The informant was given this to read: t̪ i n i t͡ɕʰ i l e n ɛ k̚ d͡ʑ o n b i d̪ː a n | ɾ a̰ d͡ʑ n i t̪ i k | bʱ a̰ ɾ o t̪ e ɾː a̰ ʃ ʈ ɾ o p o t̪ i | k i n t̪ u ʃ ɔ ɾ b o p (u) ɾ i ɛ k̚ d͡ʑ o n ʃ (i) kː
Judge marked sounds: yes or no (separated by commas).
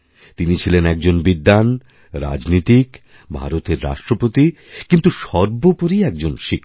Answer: no, yes